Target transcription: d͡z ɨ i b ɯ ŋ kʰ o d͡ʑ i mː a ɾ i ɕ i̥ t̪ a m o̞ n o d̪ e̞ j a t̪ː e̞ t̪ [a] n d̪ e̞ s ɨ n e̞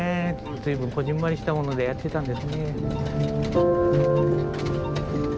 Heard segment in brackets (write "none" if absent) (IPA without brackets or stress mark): a